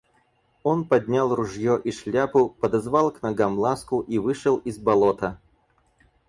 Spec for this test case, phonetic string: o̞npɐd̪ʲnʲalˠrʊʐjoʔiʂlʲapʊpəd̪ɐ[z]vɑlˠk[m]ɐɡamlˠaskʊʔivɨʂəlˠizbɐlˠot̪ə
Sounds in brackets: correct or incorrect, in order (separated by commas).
correct, incorrect